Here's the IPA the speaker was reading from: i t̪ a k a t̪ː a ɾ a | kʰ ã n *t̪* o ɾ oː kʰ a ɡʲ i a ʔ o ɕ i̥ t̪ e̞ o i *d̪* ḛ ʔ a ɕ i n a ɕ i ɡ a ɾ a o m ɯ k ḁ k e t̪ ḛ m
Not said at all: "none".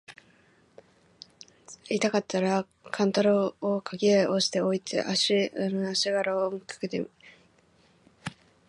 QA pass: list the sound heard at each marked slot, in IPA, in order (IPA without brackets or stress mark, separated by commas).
t̪, t̪